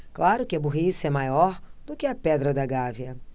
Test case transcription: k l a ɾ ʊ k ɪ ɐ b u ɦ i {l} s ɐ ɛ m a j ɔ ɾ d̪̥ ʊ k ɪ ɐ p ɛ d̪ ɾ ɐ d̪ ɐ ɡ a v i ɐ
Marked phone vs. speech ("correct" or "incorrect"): incorrect